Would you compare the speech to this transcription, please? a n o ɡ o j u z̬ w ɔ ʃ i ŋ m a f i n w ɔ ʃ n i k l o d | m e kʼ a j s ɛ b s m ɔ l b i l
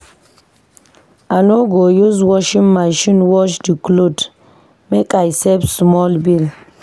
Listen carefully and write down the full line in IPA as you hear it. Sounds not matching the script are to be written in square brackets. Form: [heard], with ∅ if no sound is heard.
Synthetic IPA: a n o ɡ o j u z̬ w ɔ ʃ i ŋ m a [ʃ] i n w ɔ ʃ [d] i k l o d | m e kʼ a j s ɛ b s m ɔ l b i l